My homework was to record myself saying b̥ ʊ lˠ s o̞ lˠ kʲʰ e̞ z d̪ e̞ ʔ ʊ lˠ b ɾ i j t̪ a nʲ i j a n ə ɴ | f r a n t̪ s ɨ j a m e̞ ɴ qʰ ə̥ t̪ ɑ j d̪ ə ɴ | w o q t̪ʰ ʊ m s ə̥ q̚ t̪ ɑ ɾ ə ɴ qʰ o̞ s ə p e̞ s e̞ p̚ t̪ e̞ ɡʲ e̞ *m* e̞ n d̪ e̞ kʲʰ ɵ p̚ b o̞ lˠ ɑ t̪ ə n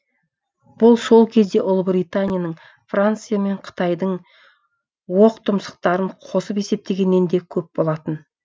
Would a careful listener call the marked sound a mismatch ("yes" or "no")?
yes